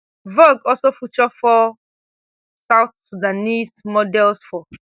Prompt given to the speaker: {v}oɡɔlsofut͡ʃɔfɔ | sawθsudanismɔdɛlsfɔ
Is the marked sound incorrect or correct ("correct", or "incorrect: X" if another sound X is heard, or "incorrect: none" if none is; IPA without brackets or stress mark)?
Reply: correct